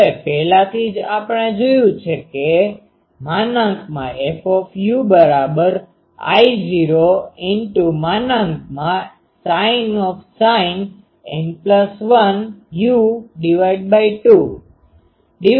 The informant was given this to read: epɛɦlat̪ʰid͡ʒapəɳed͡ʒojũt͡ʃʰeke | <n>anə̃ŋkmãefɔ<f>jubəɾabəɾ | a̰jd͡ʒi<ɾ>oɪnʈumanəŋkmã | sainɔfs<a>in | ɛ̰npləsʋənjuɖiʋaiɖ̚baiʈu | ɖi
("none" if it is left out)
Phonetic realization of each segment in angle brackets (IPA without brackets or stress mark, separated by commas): m, f, ɾ, a